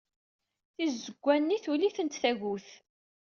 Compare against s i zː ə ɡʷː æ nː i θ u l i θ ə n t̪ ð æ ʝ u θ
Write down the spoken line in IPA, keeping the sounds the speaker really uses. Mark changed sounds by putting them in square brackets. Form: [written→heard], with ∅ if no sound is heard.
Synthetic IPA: [s→θ] i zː ə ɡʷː æ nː i θ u l i θ ə n t̪ [ð→θ] æ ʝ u θ

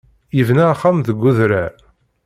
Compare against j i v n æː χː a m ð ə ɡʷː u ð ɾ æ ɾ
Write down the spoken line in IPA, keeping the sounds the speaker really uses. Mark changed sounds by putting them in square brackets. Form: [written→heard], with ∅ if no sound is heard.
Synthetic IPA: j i v n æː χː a m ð ə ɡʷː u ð ɾ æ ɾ

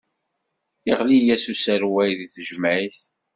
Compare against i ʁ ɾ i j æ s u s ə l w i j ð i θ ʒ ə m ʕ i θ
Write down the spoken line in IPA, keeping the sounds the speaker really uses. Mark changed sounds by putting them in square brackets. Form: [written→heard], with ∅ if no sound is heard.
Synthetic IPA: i ʁ [ɾ→l] i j æ s u s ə [l→ɾ] w [i→æ] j ð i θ ʒ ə m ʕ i θ

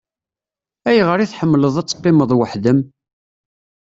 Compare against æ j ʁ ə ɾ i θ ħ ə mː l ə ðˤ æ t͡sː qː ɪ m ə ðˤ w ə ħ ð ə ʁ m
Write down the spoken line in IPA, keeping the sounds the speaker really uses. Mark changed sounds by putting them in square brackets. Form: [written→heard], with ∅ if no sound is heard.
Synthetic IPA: æ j ʁ ə ɾ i θ ħ ə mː l ə ðˤ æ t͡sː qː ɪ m ə ðˤ w ə ħ ð ə [ʁ→∅] m

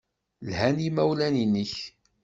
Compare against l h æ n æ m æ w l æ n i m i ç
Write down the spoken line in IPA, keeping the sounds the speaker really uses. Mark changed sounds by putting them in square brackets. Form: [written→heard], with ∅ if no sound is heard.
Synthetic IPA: l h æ n [æ→i] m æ w l æ n i [m→n] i ç

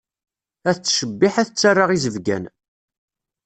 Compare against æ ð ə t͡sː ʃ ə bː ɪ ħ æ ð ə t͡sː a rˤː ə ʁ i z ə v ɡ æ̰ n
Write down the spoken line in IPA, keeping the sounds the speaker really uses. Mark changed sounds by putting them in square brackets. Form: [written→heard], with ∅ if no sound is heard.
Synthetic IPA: æ [ð→θ] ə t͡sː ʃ ə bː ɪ ħ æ [ð→θ] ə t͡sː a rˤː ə ʁ i z ə v ɡ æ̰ n

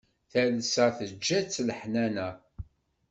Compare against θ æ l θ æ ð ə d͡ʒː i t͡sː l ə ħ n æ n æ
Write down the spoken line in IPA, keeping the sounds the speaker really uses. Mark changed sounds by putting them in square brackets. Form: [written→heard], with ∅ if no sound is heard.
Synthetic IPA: θ æ l [θ→s] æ [ð→θ] ə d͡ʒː [i→æ] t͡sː l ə ħ n æ n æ

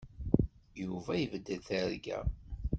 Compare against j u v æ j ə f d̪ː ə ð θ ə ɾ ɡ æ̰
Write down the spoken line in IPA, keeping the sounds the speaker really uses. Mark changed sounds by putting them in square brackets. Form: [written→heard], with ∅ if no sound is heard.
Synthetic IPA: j u v æ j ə [f→v] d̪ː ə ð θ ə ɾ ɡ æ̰

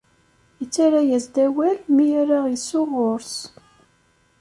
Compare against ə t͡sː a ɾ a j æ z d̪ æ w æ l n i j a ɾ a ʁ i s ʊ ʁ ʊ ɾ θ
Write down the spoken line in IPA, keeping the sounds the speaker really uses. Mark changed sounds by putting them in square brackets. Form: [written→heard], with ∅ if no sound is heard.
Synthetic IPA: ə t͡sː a ɾ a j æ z d̪ æ w æ l [n→m] i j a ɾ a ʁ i s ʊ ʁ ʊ ɾ [θ→s]

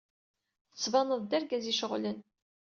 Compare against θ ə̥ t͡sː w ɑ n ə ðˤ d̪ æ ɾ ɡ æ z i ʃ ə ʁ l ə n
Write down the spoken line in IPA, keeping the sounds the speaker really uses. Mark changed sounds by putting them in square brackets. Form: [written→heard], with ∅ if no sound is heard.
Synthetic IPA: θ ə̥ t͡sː [w→v] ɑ n ə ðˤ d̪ æ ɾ ɡ æ z i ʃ ə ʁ l ə n

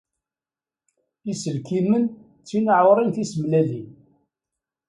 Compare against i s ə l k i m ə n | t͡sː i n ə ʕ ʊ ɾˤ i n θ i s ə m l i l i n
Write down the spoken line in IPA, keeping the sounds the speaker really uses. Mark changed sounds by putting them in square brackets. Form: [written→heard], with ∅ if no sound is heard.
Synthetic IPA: i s ə l k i m ə n | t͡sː i n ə ʕ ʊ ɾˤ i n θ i s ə m l [i→æ] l i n

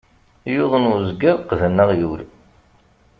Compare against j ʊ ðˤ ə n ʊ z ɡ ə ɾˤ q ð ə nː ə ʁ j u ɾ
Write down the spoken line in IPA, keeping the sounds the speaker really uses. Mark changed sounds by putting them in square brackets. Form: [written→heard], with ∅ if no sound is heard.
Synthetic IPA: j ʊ ðˤ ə n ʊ z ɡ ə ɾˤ q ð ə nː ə ʁ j u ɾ

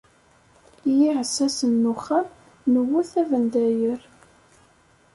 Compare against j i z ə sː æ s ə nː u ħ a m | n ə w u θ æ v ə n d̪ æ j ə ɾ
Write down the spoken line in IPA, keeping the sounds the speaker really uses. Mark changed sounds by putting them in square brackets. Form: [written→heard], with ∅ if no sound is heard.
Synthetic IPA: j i [z→ʕ] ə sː æ s ə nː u [ħ→χ] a m | n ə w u θ æ v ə n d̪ æ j ə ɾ

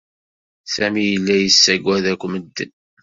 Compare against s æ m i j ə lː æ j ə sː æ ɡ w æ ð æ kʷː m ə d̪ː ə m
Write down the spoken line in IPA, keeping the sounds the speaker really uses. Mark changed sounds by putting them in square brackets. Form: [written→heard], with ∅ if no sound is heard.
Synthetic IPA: s æ m i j ə lː æ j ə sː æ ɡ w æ ð æ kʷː m ə d̪ː ə [m→n]

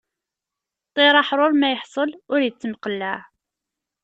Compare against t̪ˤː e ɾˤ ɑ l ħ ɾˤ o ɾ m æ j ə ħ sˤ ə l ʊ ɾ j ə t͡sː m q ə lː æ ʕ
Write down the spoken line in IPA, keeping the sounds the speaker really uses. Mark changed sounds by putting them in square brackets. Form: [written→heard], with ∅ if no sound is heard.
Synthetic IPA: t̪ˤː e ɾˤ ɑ [l→∅] ħ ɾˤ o ɾ m æ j ə ħ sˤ ə l ʊ ɾ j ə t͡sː m q ə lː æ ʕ

